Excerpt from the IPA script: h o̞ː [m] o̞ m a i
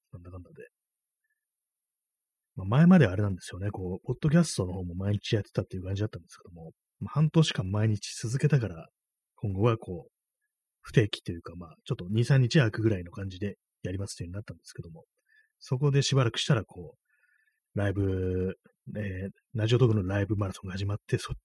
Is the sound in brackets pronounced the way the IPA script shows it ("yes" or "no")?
yes